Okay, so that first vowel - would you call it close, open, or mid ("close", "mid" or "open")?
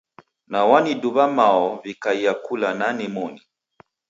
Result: open